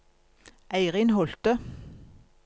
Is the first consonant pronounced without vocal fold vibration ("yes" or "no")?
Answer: no